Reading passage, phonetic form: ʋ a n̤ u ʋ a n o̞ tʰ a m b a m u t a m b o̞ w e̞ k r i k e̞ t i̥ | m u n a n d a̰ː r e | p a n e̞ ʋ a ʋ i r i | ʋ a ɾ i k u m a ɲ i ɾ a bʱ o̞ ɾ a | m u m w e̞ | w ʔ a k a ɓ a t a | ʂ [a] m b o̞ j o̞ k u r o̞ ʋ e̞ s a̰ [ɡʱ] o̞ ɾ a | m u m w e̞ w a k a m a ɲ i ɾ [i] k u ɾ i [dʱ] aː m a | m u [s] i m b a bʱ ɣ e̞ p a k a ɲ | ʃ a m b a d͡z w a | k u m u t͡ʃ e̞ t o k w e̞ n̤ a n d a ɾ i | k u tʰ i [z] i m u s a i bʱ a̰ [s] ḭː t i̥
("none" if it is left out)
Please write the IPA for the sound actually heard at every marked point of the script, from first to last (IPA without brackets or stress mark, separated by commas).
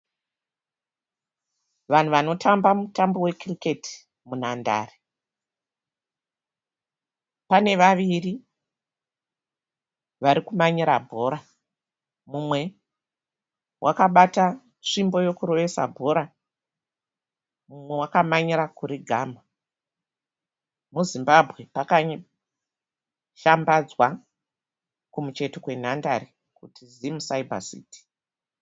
i, bʱ, a, ɡʱ, z, z, s